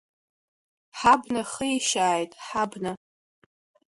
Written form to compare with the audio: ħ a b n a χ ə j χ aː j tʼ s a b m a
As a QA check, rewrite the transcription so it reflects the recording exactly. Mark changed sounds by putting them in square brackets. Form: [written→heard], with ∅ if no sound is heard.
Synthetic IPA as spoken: ħ a b n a χ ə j [χ→ʃ] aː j tʼ [s→ħ] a b [m→n] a